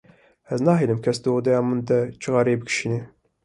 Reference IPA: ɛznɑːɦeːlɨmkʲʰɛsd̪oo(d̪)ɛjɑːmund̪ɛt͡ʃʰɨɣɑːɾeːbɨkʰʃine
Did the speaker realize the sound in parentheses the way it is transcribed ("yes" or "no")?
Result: yes